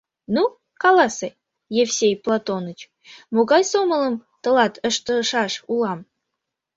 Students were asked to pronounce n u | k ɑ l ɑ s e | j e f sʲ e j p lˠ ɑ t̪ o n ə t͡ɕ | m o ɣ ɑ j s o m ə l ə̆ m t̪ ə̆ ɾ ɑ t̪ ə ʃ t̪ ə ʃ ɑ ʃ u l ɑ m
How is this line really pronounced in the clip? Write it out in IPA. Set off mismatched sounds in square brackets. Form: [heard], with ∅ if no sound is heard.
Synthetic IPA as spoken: n u | k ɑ l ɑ s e | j e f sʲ e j p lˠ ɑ t̪ o n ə t͡ɕ | m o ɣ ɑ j s o m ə l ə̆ m t̪ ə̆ [l] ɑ t̪ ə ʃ t̪ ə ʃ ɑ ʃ u l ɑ m